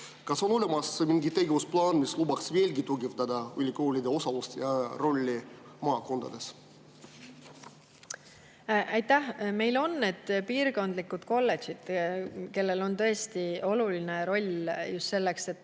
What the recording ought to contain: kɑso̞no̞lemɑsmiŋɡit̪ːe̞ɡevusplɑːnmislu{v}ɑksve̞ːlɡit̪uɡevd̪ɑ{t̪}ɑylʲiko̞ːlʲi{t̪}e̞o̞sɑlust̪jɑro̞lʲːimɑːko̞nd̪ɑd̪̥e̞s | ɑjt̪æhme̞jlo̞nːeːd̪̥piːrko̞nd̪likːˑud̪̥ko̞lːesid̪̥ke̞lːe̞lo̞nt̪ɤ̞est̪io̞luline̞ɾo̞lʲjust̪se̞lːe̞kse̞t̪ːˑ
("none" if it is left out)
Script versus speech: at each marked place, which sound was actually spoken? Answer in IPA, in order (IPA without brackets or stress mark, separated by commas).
b, d̪, d̪